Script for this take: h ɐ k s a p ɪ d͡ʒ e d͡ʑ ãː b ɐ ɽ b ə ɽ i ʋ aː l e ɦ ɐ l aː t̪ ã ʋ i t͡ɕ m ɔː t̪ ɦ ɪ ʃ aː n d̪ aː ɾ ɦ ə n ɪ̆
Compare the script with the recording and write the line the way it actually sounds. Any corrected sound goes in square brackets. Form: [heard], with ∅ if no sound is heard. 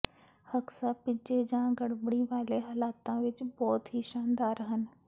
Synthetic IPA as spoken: h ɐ k s a p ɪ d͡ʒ e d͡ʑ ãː [ɡ] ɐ ɽ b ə ɽ i ʋ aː l e ɦ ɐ l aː t̪ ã ʋ [ɪ] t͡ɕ [b] ɔː t̪ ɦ [i] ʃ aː n d̪ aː ɾ ɦ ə n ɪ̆